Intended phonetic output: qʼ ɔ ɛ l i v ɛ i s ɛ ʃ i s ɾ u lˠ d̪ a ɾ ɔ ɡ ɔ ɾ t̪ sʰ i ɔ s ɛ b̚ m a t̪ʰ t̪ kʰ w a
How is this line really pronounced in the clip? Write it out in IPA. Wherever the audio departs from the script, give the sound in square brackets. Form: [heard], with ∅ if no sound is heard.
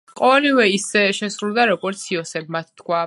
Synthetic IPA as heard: qʼ ɔ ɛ l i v ɛ i s ɛ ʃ [ɛ] s ɾ u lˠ d̪ a ɾ ɔ ɡ ɔ ɾ t̪ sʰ i ɔ s ɛ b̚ m a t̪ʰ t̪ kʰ w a